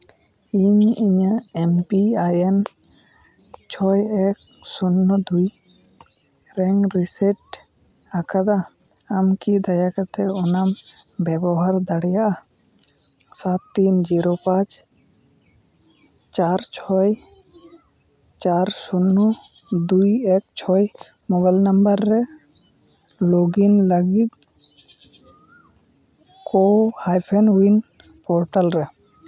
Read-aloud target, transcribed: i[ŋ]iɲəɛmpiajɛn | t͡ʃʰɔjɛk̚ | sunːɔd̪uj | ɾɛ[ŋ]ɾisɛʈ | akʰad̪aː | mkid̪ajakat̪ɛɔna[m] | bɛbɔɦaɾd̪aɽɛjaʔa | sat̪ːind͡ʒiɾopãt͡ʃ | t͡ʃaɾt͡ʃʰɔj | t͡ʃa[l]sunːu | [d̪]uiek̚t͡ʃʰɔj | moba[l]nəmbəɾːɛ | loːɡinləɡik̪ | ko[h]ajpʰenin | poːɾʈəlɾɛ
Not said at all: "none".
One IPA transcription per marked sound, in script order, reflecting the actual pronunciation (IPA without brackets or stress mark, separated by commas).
ɲ, ŋ, m, ɾ, d̪, l, h